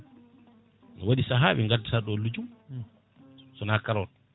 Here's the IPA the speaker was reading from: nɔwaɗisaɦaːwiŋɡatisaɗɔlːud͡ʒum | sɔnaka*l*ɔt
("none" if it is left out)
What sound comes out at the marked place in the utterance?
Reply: ɾ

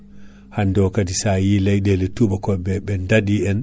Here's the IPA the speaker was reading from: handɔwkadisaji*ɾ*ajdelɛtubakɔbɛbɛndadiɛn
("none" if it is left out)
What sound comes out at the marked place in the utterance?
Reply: l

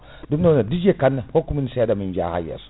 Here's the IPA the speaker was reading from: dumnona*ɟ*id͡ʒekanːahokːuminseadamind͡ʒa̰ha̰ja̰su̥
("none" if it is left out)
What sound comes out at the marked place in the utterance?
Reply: d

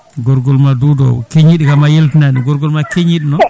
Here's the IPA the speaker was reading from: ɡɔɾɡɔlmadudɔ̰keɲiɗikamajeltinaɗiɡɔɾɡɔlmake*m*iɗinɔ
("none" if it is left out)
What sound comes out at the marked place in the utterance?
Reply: ɲ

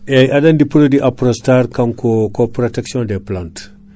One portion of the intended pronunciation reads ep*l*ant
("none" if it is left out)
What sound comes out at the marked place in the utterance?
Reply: l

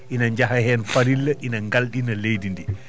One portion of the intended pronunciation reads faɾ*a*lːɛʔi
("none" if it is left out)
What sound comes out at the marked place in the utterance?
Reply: i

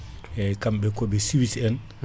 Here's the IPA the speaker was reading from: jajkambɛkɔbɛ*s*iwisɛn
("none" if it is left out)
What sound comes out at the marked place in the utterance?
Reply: s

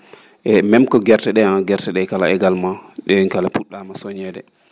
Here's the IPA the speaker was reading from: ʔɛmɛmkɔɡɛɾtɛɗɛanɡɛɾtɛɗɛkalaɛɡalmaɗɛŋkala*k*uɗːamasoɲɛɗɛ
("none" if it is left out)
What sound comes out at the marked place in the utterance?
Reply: p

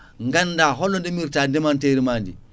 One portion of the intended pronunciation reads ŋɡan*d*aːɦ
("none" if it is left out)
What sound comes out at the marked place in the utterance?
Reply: d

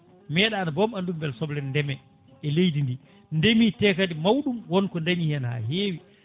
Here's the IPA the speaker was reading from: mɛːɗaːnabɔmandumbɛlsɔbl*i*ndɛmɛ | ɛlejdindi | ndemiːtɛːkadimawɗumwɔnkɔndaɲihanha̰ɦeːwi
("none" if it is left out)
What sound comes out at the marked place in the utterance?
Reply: ɛ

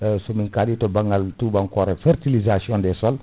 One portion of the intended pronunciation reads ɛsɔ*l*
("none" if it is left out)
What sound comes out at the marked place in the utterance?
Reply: l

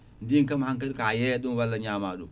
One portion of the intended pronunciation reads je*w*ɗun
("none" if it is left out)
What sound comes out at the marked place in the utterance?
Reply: none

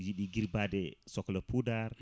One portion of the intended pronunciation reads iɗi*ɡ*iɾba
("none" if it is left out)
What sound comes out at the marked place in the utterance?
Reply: ɡ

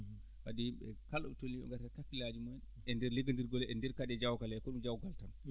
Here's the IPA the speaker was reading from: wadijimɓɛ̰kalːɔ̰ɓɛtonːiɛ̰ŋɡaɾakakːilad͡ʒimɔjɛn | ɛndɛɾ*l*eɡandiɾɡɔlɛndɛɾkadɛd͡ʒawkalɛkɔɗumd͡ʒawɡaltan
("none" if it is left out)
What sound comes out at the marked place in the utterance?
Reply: l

